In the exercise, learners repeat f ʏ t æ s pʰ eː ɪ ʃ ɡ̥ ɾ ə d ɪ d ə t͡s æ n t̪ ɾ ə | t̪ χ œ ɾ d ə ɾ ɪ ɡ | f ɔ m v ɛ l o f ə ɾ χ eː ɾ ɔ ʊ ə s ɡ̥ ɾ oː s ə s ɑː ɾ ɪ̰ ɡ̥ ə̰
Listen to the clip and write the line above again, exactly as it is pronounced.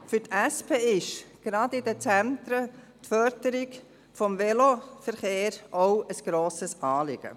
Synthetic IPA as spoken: f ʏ t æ s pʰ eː ɪ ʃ ɡ̥ ɾ ɑ d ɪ d ə t͡s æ n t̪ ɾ ə | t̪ f œ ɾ d ə ɾ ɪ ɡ | f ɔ m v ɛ l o f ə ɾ χ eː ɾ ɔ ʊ ə s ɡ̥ ɾ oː s ə s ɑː l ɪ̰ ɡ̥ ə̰